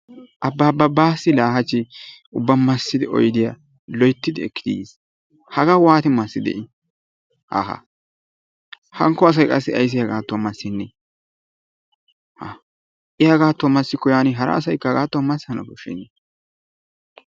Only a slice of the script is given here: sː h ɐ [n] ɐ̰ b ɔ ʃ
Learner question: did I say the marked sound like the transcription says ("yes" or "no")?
yes